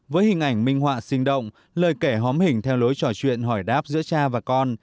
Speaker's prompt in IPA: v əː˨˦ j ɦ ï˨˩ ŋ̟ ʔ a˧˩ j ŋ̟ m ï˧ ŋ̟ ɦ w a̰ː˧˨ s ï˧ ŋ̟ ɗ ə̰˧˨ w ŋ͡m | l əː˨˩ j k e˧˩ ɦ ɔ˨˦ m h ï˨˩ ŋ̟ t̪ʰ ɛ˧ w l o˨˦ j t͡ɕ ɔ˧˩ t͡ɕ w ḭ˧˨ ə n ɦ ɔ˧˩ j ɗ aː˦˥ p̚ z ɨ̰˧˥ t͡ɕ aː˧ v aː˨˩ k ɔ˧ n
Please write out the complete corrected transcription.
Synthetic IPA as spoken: v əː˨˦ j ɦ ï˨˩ ŋ̟ ʔ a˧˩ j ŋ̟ m ï˧ ŋ̟ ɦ w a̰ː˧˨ s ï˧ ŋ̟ ɗ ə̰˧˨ w ŋ͡m | l əː˨˩ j k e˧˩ ɦ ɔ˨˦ m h ï˨˩ ŋ̟ t̪ʰ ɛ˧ w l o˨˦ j t͡ɕ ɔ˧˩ t͡ɕ w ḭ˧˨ ə n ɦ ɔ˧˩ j ɗ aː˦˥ p̚ z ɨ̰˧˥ t͡ɕ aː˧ v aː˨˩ k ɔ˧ n

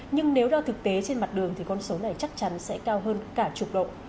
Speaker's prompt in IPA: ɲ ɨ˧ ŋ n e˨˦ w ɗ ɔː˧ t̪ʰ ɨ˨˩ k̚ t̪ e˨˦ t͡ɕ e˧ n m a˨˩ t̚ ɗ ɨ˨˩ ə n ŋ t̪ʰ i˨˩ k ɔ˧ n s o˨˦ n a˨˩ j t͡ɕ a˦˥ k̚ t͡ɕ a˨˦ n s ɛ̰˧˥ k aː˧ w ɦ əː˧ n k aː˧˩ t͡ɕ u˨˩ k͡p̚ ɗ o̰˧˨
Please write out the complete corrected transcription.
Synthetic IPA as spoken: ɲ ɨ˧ ŋ n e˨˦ w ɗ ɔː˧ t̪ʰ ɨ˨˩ k̚ t̪ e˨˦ t͡ɕ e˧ n m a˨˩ t̚ ɗ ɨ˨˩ ə ŋ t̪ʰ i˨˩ k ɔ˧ n s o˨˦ n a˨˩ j t͡ɕ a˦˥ k̚ t͡ɕ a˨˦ n s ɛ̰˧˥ k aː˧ w ɦ əː˧ n k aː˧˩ t͡ɕ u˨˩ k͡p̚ ɗ o̰˧˨

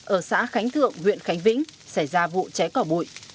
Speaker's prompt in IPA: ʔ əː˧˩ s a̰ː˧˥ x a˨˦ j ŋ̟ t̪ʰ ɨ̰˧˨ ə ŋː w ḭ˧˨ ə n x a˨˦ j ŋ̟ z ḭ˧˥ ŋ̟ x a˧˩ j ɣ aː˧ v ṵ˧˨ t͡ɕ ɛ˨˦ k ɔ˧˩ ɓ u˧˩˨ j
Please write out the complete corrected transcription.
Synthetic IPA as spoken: ʔ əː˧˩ s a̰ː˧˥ x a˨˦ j ŋ̟ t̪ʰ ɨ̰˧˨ ə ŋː w ḭ˧˨ ə n x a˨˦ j ŋ̟ v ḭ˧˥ ŋ̟ s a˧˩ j z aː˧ v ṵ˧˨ t͡ɕ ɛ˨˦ k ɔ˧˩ ɓ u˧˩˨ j

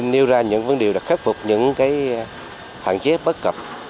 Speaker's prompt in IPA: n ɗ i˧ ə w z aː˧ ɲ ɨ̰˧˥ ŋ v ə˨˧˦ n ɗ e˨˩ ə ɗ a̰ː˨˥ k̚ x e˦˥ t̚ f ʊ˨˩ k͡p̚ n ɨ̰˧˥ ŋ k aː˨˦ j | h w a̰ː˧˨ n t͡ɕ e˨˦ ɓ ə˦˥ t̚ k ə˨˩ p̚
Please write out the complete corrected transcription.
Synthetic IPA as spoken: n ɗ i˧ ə w z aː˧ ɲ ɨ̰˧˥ ŋ v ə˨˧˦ n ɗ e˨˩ ə ɗ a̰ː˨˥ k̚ x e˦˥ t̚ f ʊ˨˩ k͡p̚ ɲ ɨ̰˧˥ ŋ k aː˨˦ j | h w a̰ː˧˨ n t͡ɕ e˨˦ ɓ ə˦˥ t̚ k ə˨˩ p̚

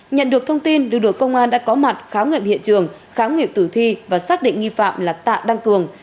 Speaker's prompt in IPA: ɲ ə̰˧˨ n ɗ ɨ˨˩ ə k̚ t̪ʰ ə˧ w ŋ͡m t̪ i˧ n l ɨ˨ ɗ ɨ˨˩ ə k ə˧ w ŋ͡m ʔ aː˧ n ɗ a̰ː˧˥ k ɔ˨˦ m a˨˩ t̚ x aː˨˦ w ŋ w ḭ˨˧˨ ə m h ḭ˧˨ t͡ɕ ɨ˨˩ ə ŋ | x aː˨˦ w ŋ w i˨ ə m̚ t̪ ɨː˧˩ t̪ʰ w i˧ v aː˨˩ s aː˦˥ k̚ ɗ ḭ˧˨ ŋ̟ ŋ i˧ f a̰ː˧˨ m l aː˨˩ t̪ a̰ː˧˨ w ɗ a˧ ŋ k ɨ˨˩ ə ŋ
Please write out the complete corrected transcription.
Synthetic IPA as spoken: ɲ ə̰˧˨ n ɗ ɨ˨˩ ə k̚ t̪ʰ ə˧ w ŋ͡m t̪ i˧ n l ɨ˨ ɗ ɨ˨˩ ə k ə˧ w ŋ͡m ʔ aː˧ n ɗ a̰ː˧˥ k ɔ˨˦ m a˨˩ t̚ x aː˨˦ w ŋ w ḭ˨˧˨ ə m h ḭ˧˨ t͡ɕ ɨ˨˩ ə ŋ | x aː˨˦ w ŋ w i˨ ə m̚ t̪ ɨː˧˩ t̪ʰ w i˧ v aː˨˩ s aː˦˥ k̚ ɗ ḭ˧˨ ŋ̟ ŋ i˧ f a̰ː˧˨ m l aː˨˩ t̪ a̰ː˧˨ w ɗ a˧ ŋ k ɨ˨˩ ə ŋ

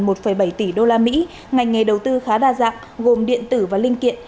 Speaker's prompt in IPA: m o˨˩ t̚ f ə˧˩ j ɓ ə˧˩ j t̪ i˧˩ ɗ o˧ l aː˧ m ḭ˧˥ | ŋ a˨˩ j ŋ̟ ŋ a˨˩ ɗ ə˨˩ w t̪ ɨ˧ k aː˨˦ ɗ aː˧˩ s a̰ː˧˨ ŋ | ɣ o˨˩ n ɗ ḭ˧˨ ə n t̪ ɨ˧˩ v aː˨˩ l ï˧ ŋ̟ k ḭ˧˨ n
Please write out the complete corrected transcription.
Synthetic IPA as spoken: m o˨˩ t̚ f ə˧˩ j ɓ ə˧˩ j t̪ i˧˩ ɗ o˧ l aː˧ m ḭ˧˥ | ŋ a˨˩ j ŋ̟ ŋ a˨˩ ɗ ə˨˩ w t̪ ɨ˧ x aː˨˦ ɗ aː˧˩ z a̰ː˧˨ ŋ | ɣ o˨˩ m ɗ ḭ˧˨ ə n t̪ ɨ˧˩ v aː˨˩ l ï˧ ŋ̟ k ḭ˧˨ n

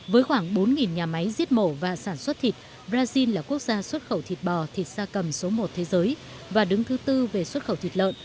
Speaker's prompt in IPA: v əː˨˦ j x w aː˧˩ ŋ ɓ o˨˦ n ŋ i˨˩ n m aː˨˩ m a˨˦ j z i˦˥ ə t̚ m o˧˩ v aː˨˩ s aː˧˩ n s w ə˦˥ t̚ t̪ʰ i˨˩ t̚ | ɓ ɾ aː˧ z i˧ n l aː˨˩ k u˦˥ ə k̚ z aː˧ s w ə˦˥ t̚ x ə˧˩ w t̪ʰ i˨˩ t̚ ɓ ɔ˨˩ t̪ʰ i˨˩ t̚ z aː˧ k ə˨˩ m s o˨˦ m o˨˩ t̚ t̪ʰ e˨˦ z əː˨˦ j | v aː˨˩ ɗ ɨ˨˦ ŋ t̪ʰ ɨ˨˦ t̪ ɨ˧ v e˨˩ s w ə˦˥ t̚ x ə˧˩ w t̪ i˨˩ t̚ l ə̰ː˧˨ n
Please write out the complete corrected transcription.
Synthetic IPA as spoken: v əː˨˦ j x w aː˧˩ ŋ ɓ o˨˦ n ŋ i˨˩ n ɲ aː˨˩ m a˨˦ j z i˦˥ ə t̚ m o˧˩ v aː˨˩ s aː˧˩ n s w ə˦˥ t̚ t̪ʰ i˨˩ t̚ | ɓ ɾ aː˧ z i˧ n l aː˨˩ k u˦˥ ə k̚ z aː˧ s w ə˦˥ t̚ x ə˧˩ w t̪ʰ i˨˩ t̚ ɓ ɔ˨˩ t̪ʰ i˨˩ t̚ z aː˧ k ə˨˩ m s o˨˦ m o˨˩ t̚ t̪ʰ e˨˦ z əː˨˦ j | v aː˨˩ ɗ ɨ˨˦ ŋ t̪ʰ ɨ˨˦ t̪ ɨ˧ v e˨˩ s w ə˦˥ t̚ x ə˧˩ w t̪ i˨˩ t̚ l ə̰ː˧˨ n

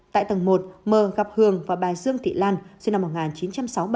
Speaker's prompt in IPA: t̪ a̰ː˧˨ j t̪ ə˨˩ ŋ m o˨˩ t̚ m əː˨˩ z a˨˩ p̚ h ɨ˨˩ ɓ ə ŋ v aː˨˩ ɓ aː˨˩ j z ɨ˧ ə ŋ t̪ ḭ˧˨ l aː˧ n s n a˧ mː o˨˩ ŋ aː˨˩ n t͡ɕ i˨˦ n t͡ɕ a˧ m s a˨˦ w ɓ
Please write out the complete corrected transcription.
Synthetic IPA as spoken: t̪ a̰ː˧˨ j t̪ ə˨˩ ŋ m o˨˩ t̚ m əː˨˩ ɣ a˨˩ p̚ h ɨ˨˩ ə ŋ v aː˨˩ ɓ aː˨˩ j z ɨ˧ ə ŋ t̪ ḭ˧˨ l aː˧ n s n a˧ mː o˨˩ ŋ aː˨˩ n t͡ɕ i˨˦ n t͡ɕ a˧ m s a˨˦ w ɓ

